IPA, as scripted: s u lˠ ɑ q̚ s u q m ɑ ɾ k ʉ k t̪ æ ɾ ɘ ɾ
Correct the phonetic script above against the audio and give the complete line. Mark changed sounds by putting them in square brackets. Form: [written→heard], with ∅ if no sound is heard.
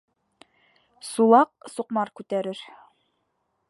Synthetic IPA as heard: s u lˠ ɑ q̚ s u q m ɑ ɾ k ʉ [k→∅] t̪ æ ɾ ɘ ɾ

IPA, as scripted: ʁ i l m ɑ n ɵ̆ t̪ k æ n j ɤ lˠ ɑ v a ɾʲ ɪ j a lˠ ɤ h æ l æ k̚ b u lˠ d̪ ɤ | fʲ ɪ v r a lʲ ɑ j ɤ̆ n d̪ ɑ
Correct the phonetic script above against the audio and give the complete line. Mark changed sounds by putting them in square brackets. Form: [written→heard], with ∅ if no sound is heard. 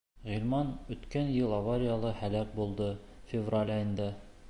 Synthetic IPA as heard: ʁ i l m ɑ n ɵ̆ t̪ k æ n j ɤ lˠ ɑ v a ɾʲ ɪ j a lˠ ɤ h æ l æ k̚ b u lˠ d̪ ɤ | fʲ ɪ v r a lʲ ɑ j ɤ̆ n d̪ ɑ

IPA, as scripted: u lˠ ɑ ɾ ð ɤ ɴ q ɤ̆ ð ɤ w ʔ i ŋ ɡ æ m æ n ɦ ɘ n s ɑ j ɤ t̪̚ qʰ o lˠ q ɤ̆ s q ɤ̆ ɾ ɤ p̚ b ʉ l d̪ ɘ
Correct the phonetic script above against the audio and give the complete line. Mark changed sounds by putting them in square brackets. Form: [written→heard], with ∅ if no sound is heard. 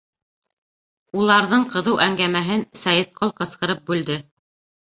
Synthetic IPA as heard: u lˠ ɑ ɾ ð ɤ ɴ q ɤ̆ ð ɤ w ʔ [i→æ] ŋ ɡ æ m æ [n→∅] ɦ ɘ n s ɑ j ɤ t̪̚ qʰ o lˠ q ɤ̆ s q ɤ̆ ɾ ɤ p̚ b ʉ l d̪ ɘ

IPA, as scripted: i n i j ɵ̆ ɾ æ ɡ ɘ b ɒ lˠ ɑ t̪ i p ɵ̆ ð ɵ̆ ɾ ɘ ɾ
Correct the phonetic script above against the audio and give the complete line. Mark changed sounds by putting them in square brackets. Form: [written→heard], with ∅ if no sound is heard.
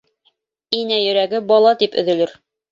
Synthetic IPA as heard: i n [i→æ] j ɵ̆ ɾ æ ɡ ɘ b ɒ lˠ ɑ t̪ i p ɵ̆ ð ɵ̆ [ɾ→l] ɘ ɾ

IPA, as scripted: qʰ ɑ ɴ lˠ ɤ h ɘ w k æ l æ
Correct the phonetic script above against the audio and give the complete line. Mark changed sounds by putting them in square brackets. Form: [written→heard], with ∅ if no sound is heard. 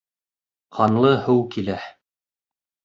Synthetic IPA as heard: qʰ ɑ [ɴ→n] lˠ ɤ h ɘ w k [æ→i] l æ

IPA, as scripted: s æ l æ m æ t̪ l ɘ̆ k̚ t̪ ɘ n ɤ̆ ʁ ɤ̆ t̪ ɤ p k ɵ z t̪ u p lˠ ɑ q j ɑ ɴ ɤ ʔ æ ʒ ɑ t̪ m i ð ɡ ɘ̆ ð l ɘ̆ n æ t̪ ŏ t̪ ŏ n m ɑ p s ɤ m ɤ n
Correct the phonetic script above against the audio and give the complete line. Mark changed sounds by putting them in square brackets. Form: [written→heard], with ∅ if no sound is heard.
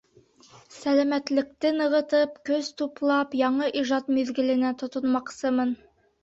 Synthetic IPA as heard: s æ l æ m æ t̪ l ɘ̆ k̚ t̪ ɘ n ɤ̆ ʁ ɤ̆ t̪ ɤ p k ɵ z t̪ u p lˠ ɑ [q→p] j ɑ ɴ ɤ ʔ [æ→i] ʒ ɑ t̪ m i ð ɡ ɘ̆ [ð→∅] l ɘ̆ n æ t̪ ŏ t̪ ŏ n m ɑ [p→q] s ɤ m ɤ n

